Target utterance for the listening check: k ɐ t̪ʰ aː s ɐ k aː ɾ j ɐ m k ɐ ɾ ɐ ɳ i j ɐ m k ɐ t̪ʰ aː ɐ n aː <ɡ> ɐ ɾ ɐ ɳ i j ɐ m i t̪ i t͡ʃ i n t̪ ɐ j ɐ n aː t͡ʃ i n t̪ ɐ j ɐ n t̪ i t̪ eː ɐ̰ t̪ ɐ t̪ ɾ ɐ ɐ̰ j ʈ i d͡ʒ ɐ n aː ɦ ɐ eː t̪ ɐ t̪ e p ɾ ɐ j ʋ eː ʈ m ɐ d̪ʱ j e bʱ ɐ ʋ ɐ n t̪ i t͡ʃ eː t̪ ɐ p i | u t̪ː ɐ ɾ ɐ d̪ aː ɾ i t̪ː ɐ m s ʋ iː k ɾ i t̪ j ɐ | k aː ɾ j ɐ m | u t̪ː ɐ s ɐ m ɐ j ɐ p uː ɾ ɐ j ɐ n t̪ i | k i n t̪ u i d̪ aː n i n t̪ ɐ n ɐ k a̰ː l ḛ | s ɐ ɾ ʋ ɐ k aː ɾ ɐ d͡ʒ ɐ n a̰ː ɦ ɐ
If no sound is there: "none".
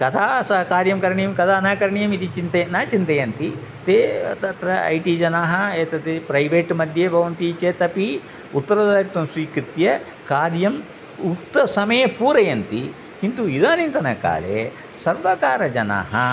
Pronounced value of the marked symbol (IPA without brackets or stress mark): k